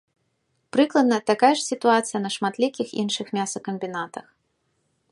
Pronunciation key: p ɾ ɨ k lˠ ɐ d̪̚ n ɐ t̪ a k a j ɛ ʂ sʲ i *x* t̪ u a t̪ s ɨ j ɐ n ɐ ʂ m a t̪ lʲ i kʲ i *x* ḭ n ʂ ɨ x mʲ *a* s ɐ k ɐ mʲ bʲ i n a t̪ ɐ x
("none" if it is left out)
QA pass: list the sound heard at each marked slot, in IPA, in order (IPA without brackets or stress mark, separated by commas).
none, x, a